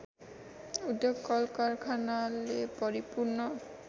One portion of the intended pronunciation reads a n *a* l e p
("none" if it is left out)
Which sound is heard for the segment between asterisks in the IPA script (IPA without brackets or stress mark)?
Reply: a